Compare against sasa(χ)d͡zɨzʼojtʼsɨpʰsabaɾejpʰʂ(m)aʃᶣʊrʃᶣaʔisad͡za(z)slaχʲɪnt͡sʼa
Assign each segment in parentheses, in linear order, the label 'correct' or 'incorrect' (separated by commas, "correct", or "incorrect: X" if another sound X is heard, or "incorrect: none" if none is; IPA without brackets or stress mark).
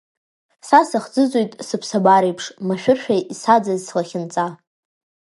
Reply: correct, correct, correct